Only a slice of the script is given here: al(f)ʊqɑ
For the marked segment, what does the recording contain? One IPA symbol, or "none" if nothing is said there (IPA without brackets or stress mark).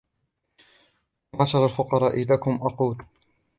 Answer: f